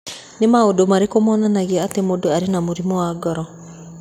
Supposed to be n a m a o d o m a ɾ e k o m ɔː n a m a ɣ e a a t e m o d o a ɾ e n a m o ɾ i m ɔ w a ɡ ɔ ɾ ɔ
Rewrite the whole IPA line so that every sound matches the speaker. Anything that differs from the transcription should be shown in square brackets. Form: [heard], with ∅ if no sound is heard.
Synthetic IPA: n [e] m a o d o m a ɾ e k o m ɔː n a [n] a ɣ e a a t e m o d o a ɾ e n a m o ɾ i m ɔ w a ɡ ɔ ɾ ɔ